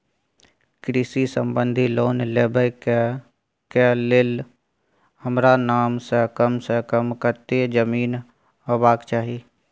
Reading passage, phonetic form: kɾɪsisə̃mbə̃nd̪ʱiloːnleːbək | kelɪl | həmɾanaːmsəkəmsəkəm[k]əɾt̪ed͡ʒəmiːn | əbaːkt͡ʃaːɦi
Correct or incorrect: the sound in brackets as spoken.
correct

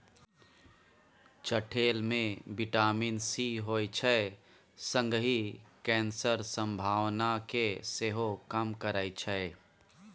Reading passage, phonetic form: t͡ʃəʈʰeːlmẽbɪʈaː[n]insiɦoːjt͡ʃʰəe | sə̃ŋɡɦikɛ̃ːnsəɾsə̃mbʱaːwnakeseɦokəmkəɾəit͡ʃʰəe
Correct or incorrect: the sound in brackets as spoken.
incorrect: m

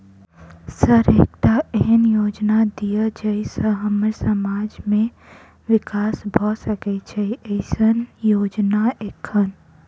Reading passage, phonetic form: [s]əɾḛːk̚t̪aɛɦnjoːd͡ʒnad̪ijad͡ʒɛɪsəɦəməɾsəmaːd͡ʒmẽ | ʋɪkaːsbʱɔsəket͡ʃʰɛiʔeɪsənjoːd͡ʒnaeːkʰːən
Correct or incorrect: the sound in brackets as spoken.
correct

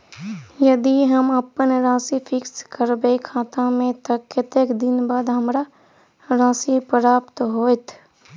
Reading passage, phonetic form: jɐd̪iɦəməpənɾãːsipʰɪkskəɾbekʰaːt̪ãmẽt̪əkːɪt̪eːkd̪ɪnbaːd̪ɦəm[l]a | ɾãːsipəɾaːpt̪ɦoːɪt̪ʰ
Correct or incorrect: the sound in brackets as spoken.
incorrect: ɾ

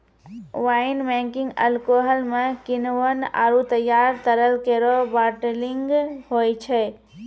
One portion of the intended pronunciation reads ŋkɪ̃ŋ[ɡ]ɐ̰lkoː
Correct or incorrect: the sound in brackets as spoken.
correct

